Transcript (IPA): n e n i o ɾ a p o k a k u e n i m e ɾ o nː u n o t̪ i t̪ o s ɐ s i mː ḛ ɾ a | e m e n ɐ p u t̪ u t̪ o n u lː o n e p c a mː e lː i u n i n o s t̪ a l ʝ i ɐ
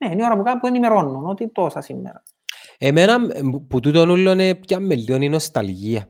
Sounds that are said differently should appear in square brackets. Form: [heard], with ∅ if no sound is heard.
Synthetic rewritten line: n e n i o ɾ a p [u] k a [p] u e n i m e ɾ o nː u n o t̪ i t̪ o s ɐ s i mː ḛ ɾ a | e m e n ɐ p u t̪ u t̪ o n u lː o n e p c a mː e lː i [o] n i n o s t̪ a l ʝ i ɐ